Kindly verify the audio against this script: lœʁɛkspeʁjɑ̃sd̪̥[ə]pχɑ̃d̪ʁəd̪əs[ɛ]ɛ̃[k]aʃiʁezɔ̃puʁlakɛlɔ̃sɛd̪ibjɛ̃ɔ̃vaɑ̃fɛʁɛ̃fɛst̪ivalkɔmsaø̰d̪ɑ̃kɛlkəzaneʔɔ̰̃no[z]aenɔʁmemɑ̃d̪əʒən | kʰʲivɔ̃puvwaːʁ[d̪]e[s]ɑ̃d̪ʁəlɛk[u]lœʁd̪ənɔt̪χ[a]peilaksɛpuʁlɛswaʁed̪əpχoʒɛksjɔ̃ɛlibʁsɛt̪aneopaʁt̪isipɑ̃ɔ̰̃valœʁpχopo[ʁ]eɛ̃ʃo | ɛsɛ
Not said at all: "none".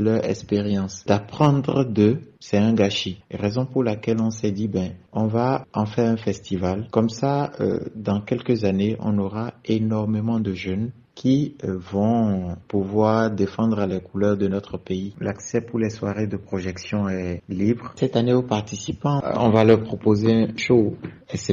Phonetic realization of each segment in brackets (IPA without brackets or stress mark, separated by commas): a, ɛ, ɡ, ʁ, d̪, f, u, ə, z